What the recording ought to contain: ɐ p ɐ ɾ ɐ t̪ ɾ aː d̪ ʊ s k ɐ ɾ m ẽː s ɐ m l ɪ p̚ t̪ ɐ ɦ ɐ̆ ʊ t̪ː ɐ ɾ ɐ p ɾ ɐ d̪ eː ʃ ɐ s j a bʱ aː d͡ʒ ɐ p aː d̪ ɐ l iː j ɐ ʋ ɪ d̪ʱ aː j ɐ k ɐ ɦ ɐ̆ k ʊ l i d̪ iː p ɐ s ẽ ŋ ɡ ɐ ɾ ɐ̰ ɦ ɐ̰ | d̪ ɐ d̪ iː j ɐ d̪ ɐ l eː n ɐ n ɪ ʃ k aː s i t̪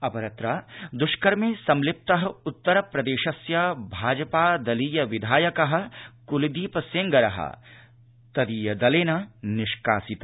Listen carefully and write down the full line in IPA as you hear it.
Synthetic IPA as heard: ɐ p ɐ ɾ ɐ t̪ ɾ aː d̪ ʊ ʃ k ɐ ɾ m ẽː s ɐ m l ɪ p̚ t̪ ɐ ɦ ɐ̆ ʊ t̪ː ɐ ɾ ɐ p ɾ ɐ d̪ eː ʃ ɐ s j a bʱ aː d͡ʒ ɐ p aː d̪ ɐ l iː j ɐ ʋ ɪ d̪ʱ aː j ɐ k ɐ ɦ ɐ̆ k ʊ l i d̪ iː p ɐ s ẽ ŋ ɡ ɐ ɾ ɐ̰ ɦ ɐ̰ | t̪ ɐ d̪ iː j ɐ d̪ ɐ l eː n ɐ n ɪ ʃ k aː s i t̪

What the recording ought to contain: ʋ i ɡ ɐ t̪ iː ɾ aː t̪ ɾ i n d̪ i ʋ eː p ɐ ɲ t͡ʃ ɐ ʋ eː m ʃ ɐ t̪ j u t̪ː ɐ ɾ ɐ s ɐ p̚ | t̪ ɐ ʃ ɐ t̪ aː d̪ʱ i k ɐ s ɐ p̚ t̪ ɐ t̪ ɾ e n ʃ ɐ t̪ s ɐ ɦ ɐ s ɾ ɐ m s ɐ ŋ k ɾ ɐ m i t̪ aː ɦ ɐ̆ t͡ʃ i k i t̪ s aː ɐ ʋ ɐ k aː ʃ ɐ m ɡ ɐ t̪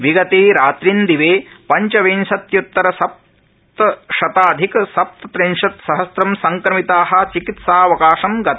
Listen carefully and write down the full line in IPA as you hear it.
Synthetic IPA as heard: ʋ i ɡ ɐ t̪ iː ɾ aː t̪ ɾ i n d̪ i ʋ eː p ɐ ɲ t͡ʃ ɐ ʋ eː n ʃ ɐ t̪ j u t̪ː ɐ ɾ ɐ s ɐ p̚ | t̪ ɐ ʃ ɐ t̪ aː d̪ʱ i k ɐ s ɐ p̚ t̪ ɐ t̪ ɾ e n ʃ ɐ t̪ s ɐ ɦ ɐ s ɾ ɐ m s ɐ ŋ k ɾ ɐ m i t̪ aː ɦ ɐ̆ t͡ʃ i k i t̪ s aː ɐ ʋ ɐ k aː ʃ ɐ m ɡ ɐ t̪

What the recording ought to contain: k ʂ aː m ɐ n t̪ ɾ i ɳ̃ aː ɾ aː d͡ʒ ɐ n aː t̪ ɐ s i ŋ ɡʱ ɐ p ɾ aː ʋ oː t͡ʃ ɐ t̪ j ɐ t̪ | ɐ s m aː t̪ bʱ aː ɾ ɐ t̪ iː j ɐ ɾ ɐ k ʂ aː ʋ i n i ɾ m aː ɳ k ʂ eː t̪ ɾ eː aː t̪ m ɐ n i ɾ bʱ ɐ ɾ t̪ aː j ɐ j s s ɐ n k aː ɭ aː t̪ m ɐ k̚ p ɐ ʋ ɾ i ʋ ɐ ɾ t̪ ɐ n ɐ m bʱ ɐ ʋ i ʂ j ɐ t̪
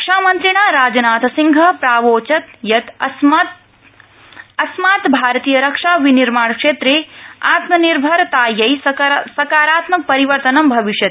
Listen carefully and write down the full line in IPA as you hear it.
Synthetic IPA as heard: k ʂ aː m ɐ n t̪ ɾ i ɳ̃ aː ɾ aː d͡ʒ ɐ n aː t̪ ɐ s i ŋ ɡʱ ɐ p ɾ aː ʋ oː t͡ʃ ɐ t̪ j ɐ t̪ | ɐ s m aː t̪ bʱ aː ɾ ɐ t̪ iː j ɐ ɾ ɐ k ʂ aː ʋ i n i ɾ m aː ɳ k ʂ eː t̪ ɾ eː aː t̪ m ɐ n i ɾ bʱ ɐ ɾ t̪ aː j ɐ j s s ɐ k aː ɾ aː t̪ m ɐ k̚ p ɐ ɾ i ʋ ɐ ɾ t̪ ɐ n ɐ m bʱ ɐ ʋ i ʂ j ɐ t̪

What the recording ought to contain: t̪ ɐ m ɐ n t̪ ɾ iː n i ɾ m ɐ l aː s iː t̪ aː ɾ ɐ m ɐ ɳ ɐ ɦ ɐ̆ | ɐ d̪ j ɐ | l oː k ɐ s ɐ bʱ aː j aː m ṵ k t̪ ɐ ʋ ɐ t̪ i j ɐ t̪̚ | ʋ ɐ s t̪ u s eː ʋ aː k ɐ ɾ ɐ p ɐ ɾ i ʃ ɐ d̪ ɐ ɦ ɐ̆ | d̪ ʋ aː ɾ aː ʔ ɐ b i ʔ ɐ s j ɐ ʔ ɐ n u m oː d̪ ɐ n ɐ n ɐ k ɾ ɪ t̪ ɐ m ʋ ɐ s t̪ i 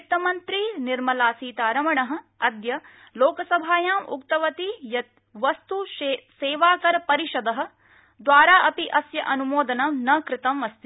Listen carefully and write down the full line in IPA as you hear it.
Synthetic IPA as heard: t̪ ɐ m ɐ n t̪ ɾ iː n i ɾ m ɐ l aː s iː t̪ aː ɾ ɐ m ɐ ɳ ɐ ɦ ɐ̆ | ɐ d̪ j ɐ | l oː k ɐ s ɐ bʱ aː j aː m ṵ k t̪ ɐ ʋ ɐ t̪ i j ɐ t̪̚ | ʋ ɐ s t̪ u s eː ʋ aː k ɐ ɾ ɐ p ɐ ɾ i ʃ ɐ d̪ ɐ ɦ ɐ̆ | d̪ ʋ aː ɾ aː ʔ ɐ p i ʔ ɐ s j ɐ ʔ ɐ n u m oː d̪ ɐ n ɐ n ɐ k ɾ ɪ t̪ ɐ m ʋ ɐ s t̪ i

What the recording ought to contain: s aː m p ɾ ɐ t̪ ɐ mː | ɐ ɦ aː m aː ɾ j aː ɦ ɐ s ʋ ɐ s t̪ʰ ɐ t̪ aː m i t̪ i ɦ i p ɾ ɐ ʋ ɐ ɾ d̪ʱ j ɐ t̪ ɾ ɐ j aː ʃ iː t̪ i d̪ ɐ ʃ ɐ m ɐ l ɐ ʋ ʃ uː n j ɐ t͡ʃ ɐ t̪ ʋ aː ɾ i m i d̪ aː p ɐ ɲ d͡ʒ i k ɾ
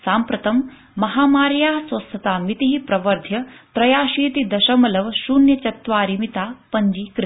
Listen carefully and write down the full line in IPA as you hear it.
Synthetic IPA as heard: s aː m p ɾ ɐ t̪ ɐ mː | ɐ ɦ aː m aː ɾ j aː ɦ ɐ s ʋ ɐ s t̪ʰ ɐ t̪ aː m i t̪ i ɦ i p ɾ ɐ ʋ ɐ ɾ d̪ʱ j ɐ t̪ ɾ ɐ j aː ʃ iː t̪ i d̪ ɐ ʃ ɐ m ɐ l ɐ ʋ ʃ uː n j ɐ t͡ʃ ɐ t̪ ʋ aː ɾ i m i t̪ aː p ɐ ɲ d͡ʒ i k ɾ

